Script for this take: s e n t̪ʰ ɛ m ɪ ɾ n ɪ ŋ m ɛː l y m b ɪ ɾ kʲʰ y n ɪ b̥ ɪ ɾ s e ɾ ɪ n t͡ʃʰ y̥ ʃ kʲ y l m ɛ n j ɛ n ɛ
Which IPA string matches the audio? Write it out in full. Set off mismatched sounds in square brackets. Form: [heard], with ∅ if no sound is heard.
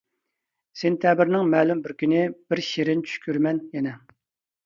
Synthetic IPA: s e n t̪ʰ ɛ [b] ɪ ɾ n ɪ ŋ m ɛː l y m b ɪ ɾ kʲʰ y n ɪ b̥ ɪ ɾ [ʃ] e ɾ ɪ n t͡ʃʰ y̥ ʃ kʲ y [ɾ] m ɛ n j ɛ n ɛ